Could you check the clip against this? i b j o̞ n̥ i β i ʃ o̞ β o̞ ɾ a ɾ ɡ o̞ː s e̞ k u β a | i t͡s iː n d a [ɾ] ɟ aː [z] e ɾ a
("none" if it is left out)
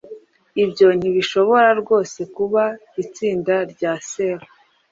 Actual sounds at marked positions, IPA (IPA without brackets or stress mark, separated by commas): ɾ, s